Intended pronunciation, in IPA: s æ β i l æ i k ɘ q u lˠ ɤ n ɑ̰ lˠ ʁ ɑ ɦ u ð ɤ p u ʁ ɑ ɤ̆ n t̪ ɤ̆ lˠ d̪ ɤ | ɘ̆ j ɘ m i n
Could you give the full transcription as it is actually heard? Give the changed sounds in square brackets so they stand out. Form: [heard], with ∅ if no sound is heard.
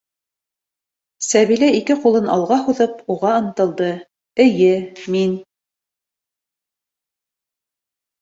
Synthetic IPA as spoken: s æ β i l æ i k ɘ q u lˠ ɤ n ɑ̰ lˠ ʁ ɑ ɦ u ð ɤ p u ʁ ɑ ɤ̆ n t̪ ɤ̆ lˠ d̪ ɤ | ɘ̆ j ɘ m i n